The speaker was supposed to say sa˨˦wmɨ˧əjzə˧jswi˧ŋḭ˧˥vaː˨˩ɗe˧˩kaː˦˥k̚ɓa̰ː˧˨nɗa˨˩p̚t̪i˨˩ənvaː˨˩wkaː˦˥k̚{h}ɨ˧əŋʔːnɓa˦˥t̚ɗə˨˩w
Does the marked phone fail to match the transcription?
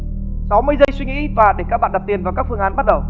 yes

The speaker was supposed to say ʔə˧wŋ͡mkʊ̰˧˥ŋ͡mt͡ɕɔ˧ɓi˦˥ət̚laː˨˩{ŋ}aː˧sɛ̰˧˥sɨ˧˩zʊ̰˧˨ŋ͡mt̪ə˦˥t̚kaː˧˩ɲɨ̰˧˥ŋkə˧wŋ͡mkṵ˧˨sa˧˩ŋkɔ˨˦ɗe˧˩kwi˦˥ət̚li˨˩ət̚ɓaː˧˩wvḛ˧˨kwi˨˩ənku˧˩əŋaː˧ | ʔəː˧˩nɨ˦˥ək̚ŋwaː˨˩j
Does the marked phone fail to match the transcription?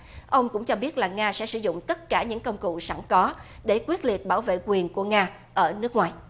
no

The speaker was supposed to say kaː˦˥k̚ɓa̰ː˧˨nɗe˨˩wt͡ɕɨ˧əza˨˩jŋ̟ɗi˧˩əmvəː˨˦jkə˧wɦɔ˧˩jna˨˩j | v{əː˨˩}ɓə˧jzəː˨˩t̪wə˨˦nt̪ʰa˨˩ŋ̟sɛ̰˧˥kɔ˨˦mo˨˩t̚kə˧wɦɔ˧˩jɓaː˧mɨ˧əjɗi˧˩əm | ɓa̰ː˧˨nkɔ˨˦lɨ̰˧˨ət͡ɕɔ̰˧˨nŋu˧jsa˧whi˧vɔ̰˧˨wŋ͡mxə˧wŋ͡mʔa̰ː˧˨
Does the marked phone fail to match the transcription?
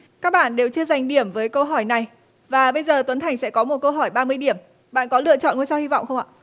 yes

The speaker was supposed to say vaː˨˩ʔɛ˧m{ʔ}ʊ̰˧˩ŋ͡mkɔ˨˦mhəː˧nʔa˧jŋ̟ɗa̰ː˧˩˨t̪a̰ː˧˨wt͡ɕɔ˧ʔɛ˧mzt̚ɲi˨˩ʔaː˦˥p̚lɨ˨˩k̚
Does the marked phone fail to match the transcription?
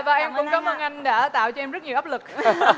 yes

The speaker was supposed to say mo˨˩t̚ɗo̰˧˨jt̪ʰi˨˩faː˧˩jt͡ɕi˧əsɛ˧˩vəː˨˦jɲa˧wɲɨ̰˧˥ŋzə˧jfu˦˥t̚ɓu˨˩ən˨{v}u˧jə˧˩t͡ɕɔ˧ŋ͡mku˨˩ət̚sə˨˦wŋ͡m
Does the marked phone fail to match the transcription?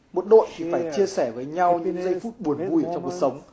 no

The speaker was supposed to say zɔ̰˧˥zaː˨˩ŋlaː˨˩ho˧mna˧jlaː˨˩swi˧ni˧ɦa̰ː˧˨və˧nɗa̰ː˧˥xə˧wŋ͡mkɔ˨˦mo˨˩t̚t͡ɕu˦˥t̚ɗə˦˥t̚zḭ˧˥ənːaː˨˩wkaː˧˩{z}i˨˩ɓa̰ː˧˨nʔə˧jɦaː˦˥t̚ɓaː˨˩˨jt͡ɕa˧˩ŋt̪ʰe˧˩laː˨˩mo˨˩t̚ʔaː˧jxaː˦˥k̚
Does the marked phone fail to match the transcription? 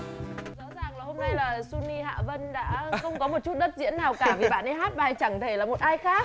yes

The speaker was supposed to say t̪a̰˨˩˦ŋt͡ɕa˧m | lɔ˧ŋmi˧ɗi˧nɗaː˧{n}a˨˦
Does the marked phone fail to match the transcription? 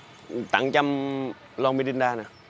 no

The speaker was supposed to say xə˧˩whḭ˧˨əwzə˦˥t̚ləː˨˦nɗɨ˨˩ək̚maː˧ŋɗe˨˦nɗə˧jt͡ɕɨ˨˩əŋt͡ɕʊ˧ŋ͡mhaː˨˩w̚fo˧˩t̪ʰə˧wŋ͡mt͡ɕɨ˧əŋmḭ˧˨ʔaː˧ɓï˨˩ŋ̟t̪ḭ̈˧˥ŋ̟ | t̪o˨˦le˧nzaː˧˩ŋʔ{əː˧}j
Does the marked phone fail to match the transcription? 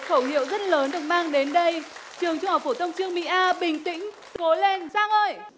no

